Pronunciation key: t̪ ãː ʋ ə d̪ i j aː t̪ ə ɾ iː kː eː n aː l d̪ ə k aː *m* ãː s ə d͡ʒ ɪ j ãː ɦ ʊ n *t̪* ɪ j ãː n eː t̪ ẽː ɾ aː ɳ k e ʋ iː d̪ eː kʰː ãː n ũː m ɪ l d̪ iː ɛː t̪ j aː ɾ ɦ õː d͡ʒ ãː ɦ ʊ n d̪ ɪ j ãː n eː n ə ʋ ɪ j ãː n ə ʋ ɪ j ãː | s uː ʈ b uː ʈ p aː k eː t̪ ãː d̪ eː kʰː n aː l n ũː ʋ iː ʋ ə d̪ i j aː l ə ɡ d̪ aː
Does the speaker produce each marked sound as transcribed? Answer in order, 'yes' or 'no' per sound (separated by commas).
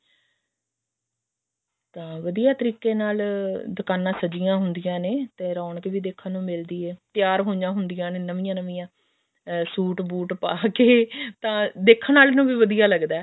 no, no